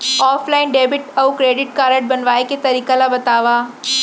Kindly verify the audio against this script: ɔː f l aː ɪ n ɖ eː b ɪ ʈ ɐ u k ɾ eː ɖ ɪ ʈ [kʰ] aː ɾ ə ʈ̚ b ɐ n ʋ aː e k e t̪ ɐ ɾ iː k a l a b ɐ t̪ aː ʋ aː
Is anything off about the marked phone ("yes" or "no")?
yes